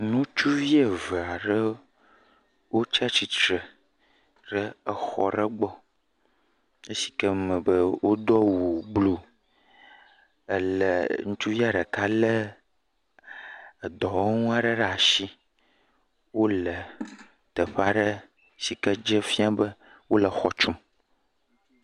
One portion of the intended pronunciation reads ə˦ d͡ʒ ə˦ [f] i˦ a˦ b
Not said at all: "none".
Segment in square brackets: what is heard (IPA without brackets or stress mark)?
f